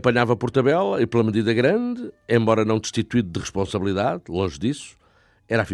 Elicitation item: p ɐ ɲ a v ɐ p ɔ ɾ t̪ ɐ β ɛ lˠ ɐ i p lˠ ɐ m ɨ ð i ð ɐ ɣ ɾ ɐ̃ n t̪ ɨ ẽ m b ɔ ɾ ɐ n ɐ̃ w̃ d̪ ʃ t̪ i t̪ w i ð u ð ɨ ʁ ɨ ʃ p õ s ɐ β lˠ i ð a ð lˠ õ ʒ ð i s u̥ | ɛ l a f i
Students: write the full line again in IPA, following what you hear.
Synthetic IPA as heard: p ɐ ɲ a v ɐ p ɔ ɾ t̪ ɐ β ɛ lˠ ɐ i p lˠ ɐ m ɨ ð i ð ɐ ɣ ɾ ɐ̃ n d̪ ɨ ẽ m b ɔ ɾ ɐ n ɐ̃ w̃ d̪ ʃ t̪ i t̪ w i ð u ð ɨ ʁ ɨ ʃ p õ s ɐ β lˠ i ð a ð lˠ õ ʒ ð i s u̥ | ɛ ɾ a f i